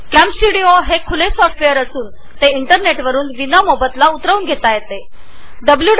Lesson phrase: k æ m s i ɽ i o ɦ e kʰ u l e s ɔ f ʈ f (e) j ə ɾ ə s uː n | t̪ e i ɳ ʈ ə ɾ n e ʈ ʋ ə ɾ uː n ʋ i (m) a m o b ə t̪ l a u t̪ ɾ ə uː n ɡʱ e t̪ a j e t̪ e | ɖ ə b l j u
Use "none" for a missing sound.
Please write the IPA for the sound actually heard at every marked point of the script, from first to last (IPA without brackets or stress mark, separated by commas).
e, n